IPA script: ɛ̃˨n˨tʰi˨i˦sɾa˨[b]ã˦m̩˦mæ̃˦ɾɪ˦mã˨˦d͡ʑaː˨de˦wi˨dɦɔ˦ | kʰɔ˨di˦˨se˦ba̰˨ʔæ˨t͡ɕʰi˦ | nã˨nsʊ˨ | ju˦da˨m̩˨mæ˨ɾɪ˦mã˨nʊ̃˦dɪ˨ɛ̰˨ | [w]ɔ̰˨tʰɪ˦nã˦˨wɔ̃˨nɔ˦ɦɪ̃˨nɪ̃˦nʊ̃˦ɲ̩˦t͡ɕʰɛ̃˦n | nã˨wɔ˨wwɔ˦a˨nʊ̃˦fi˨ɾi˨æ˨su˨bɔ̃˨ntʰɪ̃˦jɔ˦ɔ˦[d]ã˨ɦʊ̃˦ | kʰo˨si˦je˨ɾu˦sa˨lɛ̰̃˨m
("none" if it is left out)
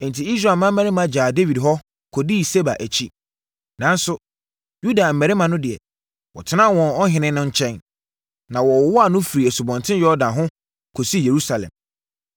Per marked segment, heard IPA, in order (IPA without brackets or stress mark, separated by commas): m, w, d